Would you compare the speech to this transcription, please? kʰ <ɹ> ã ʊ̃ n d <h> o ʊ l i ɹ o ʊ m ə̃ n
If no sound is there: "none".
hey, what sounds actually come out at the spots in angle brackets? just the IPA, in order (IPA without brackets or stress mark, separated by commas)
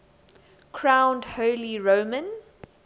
ɹ, h